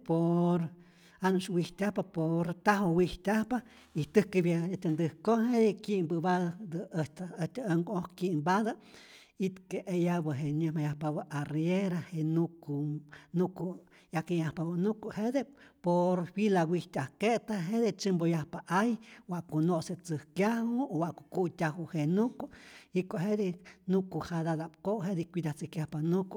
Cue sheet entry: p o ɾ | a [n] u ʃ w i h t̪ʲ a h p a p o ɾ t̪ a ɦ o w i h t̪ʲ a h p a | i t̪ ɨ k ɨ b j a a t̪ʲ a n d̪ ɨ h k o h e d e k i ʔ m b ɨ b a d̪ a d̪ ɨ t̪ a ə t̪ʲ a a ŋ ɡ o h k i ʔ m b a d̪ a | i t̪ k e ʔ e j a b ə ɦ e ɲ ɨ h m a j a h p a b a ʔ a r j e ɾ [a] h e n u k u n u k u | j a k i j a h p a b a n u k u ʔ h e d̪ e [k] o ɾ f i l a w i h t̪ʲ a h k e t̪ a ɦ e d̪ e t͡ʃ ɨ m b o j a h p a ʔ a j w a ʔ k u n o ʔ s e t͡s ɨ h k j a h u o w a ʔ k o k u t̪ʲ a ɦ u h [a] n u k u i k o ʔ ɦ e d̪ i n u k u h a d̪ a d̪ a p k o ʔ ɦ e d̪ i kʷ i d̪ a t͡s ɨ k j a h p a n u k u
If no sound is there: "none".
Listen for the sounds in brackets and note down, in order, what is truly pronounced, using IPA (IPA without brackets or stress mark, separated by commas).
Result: n, a, p, e